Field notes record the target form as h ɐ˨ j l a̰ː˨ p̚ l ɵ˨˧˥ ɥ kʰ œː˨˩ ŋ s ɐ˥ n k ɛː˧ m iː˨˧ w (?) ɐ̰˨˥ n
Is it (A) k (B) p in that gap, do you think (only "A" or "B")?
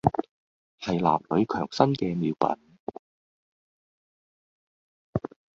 B